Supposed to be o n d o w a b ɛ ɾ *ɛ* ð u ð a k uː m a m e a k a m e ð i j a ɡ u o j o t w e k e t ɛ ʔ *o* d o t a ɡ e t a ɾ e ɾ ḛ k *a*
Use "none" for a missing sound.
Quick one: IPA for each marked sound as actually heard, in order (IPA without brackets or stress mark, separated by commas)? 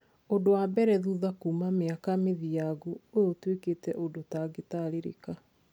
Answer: ɛ, o, a